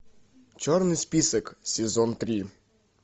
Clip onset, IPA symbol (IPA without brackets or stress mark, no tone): t͡ʃ